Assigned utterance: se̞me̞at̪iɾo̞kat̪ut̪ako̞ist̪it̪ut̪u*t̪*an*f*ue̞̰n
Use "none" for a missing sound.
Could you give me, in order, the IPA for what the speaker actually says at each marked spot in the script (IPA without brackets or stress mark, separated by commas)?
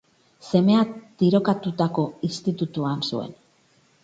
none, s